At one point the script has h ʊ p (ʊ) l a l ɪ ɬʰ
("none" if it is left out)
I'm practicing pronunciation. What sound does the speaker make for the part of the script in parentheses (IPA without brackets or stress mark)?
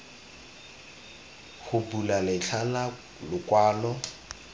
u